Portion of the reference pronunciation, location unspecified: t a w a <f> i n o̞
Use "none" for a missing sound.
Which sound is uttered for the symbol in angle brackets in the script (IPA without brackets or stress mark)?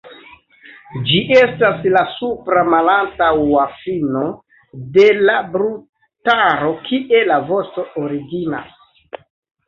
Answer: f